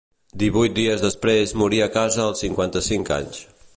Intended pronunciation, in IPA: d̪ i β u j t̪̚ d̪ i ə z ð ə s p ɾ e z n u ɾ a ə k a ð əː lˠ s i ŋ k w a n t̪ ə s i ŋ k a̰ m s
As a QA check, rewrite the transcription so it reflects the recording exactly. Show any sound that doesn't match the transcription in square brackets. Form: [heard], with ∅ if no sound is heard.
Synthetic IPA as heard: d̪ i β u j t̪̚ d̪ i ə z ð ə s p ɾ e z [m] u ɾ [i] ə k a [z] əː lˠ s i ŋ k w a n t̪ ə s i ŋ k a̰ [ɲ] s